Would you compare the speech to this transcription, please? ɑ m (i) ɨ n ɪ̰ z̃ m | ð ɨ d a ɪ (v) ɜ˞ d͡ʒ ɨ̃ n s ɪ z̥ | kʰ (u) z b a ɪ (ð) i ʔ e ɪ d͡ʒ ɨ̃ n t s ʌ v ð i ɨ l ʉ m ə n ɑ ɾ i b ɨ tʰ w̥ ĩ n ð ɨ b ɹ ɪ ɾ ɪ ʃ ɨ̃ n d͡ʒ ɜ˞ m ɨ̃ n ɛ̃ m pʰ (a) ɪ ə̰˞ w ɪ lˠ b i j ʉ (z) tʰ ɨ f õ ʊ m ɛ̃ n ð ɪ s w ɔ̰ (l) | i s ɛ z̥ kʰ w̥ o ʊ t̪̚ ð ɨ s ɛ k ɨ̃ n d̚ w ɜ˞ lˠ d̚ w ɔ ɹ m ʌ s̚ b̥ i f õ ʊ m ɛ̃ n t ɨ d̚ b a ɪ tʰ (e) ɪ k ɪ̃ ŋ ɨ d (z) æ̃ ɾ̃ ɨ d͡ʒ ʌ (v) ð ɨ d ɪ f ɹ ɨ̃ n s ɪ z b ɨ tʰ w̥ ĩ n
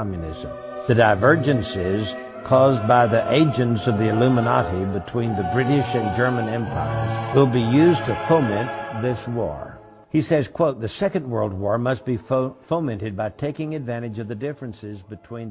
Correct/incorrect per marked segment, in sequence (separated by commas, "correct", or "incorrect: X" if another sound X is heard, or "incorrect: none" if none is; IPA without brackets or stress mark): incorrect: j, correct, incorrect: ɔ, correct, correct, correct, incorrect: ɹ, correct, incorrect: v, correct